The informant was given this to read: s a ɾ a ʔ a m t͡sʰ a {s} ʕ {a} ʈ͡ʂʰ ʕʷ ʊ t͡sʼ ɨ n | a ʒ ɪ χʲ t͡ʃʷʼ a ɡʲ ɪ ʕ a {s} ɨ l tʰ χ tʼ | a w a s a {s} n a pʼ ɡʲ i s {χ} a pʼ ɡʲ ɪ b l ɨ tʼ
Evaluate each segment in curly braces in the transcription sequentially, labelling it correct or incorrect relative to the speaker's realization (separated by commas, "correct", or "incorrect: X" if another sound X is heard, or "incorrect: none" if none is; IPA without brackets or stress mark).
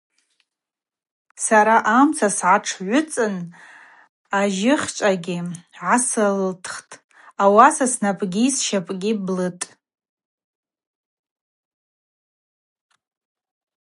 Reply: correct, correct, correct, correct, incorrect: ʃ